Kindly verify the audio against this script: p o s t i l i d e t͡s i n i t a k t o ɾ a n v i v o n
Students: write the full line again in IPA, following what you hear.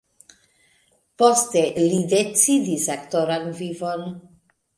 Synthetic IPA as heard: p o s t e l i d e t͡s i d i s a k t o ɾ a n v i v o n